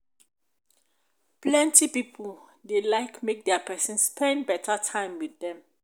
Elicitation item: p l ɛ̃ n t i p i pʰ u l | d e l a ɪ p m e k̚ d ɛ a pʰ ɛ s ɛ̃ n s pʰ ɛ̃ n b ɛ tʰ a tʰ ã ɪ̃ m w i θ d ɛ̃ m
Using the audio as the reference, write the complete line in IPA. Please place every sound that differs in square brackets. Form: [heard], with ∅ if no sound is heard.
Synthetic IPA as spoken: p l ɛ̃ n t i p i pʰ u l | d e l a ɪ [k] m e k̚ d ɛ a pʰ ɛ s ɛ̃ n s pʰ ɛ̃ n b ɛ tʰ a tʰ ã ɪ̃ m w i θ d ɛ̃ m